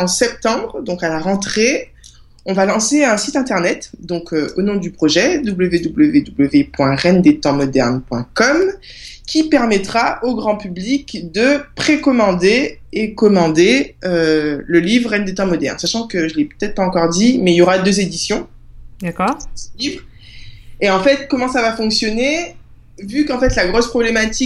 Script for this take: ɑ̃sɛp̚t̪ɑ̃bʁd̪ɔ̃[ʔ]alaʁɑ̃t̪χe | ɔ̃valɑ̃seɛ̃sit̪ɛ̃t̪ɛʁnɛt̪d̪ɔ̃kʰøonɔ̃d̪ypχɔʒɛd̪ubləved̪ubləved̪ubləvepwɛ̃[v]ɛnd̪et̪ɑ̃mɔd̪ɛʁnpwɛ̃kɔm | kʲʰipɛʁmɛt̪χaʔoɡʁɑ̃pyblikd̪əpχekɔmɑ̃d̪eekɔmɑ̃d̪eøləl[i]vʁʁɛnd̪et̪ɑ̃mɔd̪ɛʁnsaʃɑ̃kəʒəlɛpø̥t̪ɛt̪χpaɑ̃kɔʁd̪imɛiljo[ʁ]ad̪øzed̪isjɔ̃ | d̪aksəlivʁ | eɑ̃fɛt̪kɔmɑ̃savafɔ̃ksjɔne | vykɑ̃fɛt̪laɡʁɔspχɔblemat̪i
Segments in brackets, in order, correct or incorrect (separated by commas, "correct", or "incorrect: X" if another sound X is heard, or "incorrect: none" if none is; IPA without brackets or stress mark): incorrect: k, incorrect: ʁ, correct, correct